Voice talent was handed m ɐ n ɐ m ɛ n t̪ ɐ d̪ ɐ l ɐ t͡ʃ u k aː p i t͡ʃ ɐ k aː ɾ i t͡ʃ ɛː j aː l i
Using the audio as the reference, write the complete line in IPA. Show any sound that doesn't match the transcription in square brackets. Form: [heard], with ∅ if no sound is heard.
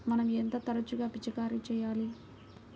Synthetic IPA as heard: m ɐ n ɐ m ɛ n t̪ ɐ [t̪] ɐ [ɾ] ɐ t͡ʃ u [ɡ] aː p i t͡ʃ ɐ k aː ɾ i t͡ʃ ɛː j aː l i